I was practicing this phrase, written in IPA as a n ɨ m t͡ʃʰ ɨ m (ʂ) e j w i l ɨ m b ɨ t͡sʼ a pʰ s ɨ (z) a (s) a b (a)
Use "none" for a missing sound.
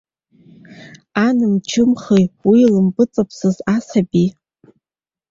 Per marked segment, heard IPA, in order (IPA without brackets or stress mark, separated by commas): χ, z, s, i